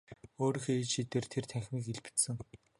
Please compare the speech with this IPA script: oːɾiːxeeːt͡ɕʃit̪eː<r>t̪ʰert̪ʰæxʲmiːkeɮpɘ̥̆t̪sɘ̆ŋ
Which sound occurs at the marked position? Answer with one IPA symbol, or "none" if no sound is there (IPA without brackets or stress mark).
r